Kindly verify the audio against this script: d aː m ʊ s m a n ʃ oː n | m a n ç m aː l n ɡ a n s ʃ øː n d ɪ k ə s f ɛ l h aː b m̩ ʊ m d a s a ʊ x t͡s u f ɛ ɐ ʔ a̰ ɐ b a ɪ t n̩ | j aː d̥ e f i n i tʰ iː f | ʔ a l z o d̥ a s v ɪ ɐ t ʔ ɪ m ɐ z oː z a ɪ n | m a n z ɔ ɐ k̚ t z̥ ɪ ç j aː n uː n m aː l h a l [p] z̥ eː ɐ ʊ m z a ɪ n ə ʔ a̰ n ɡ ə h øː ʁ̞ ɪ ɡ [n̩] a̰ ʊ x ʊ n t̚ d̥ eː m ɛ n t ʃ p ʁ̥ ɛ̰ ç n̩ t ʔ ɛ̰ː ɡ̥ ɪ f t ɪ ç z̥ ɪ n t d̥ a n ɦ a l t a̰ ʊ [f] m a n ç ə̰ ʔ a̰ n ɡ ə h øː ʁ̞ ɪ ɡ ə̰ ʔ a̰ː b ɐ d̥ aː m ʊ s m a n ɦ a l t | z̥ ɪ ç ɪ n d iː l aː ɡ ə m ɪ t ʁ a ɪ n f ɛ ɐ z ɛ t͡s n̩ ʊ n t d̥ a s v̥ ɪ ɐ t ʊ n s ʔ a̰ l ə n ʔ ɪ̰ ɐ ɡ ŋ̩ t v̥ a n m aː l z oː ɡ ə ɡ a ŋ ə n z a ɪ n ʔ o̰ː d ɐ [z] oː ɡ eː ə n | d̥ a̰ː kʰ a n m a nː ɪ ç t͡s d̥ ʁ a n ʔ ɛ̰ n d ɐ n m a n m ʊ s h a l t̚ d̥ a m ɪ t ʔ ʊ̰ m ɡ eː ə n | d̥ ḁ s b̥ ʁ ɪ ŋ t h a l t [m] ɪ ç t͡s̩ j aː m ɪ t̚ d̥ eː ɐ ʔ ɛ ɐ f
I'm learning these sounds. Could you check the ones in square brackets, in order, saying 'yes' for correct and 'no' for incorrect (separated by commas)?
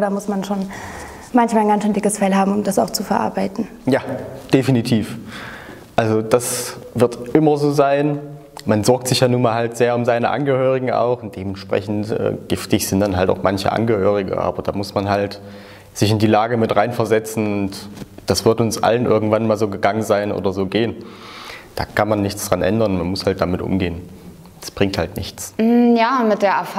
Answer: no, no, no, yes, no